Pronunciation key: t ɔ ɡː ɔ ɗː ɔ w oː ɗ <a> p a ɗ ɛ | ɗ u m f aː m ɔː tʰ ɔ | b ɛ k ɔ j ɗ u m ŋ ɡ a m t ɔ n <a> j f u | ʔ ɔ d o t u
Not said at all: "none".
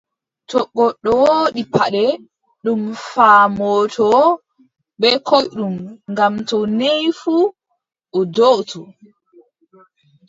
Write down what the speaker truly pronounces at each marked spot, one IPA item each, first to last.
i, e

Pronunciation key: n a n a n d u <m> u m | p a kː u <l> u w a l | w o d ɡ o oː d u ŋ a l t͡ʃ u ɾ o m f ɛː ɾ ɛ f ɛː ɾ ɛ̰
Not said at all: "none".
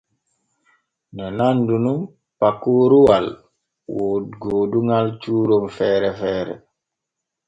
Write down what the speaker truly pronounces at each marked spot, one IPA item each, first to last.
n, ɾ

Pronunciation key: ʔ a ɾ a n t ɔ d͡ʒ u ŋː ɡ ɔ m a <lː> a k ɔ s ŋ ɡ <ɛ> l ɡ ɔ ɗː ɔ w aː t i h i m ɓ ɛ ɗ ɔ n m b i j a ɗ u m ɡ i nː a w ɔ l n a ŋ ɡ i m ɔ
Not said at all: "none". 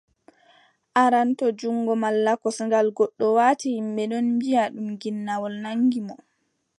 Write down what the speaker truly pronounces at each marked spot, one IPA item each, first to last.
lː, a

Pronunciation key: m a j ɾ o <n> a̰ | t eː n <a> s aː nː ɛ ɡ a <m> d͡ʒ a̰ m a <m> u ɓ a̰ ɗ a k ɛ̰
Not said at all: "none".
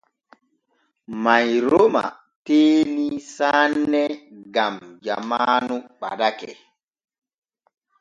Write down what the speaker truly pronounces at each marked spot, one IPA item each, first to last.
m, i, m, n

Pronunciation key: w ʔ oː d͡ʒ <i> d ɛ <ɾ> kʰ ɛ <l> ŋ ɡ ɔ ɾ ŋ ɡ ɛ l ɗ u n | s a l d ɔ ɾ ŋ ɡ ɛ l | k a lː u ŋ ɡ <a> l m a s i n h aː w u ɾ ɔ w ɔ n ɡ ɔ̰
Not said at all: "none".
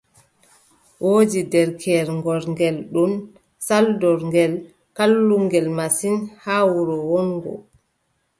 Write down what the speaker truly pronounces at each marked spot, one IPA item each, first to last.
i, ɾ, ɾ, ɛ

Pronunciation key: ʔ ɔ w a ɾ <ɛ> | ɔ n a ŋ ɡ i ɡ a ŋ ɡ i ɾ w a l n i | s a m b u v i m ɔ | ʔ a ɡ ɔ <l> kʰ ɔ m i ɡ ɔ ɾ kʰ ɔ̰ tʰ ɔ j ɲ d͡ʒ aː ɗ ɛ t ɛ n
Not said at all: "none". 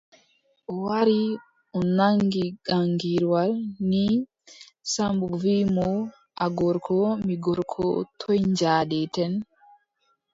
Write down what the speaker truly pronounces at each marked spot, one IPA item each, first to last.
i, ɾ

